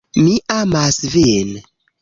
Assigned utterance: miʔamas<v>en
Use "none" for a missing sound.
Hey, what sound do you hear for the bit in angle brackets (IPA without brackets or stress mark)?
v